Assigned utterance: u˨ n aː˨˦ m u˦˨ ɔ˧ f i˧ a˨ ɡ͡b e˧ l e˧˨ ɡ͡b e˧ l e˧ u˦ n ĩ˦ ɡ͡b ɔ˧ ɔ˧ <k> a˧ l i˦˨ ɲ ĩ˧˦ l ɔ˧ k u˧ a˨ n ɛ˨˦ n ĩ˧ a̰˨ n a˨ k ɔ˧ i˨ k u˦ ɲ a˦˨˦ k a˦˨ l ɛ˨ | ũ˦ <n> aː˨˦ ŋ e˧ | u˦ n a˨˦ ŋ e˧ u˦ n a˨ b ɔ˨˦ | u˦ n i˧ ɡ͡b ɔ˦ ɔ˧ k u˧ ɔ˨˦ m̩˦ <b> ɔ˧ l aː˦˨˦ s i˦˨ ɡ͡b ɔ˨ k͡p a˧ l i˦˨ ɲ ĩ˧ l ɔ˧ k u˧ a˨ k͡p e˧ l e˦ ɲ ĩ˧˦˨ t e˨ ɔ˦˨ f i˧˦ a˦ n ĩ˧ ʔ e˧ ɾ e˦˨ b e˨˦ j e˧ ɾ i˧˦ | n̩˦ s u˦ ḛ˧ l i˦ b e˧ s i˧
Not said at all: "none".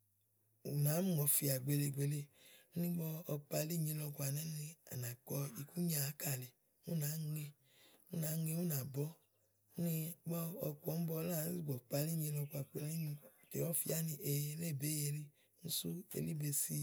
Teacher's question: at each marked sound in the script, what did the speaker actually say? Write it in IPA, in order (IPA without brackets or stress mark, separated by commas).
k͡p, n, b